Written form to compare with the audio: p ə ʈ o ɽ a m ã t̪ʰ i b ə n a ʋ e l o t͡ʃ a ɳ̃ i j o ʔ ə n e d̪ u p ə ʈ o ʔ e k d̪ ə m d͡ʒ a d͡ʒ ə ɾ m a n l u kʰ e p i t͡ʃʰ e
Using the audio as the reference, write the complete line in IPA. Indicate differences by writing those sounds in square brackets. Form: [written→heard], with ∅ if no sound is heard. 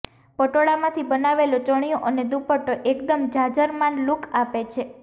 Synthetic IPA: p ə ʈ o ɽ a m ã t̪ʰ i b ə n a ʋ e l o t͡ʃ [a→ə] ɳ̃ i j o ʔ ə n e d̪ u p ə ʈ o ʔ e k d̪ ə m d͡ʒ a d͡ʒ ə ɾ m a n l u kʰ [e→a] p [i→e] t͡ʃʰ e